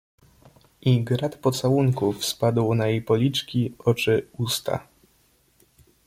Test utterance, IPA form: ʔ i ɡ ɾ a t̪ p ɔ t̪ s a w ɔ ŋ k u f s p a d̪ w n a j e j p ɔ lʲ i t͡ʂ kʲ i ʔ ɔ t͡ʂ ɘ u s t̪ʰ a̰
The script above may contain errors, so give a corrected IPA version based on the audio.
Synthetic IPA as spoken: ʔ i ɡ ɾ a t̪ p ɔ t̪ s a w u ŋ k u f s p a d̪ w n a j e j p ɔ lʲ i t͡ʂ kʲ i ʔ ɔ t͡ʂ ɘ u s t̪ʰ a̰